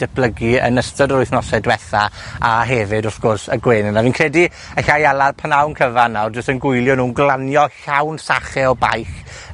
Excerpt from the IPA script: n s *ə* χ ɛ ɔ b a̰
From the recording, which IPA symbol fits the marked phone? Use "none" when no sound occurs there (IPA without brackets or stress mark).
a